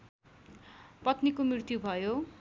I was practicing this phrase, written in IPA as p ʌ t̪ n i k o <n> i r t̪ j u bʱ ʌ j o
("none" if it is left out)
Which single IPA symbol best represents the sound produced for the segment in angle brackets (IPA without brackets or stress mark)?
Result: m